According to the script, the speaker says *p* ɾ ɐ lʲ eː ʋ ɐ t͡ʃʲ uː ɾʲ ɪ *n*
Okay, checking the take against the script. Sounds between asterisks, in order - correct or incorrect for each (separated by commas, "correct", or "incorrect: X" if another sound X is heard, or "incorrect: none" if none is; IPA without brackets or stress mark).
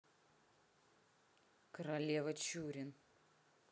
incorrect: k, correct